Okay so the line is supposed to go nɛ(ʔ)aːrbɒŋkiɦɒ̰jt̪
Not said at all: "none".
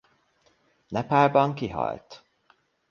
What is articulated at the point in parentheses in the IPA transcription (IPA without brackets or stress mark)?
p